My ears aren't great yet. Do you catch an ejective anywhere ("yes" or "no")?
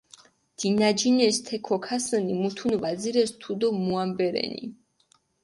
no